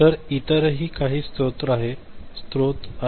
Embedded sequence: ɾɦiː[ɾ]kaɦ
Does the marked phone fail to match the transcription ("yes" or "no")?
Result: yes